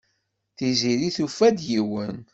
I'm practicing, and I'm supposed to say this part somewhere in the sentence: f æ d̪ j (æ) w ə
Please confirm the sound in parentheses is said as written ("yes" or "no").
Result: no